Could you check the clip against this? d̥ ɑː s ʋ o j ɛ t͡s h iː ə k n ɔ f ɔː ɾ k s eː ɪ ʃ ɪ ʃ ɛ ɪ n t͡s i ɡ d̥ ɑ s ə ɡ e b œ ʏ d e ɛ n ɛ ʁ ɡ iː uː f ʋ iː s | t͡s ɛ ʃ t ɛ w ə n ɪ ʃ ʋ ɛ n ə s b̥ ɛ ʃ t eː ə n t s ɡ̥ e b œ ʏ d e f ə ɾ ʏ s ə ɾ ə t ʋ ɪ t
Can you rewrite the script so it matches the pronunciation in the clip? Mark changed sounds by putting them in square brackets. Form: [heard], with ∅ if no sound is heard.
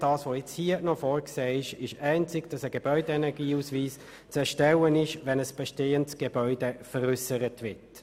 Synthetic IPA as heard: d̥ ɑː s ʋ o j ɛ t͡s h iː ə [∅] n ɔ f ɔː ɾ k s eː ɪ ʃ ɪ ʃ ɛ ɪ n t͡s [ɪ] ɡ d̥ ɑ s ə ɡ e b œ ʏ d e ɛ n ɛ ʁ ɡ iː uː [s] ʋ iː s | t͡s ɛ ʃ t ɛ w ə n ɪ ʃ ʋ ɛ n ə s b̥ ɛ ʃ t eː ə n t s ɡ̥ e b œ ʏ d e f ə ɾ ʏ s ə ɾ ə t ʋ ɪ t

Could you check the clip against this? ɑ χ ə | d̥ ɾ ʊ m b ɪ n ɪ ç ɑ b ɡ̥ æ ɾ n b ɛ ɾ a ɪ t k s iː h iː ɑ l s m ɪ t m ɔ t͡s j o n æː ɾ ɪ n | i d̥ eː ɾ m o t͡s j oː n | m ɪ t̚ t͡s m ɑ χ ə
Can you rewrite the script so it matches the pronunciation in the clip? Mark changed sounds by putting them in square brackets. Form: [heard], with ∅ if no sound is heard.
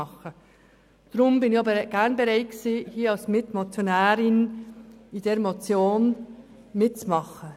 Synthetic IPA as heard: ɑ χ ə | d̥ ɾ ʊ m b ɪ n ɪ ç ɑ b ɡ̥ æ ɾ n b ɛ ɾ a ɪ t k s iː h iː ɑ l s m ɪ t m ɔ t͡s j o n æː ɾ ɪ n | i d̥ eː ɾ m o t͡s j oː n | m ɪ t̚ t͡s m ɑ χ ə

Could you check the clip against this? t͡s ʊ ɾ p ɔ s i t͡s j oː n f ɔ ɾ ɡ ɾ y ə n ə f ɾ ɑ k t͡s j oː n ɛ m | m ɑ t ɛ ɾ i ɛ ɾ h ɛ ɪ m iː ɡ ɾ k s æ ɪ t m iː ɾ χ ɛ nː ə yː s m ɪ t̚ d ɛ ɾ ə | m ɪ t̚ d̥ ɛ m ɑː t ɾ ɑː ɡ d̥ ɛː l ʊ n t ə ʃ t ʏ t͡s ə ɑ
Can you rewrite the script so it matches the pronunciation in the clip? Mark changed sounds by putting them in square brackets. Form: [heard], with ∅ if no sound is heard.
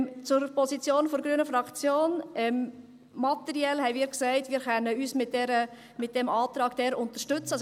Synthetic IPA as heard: t͡s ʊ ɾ p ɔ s i t͡s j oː n f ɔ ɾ ɡ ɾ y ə n ə f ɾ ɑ k t͡s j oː n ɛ m | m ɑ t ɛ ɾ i ɛ [l] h ɛ ɪ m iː [∅] ɾ k s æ ɪ t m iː ɾ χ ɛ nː ə yː s m ɪ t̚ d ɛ ɾ ə | m ɪ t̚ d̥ ɛ m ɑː t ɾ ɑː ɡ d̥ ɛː [ɾ] ʊ n t ə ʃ t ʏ t͡s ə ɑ

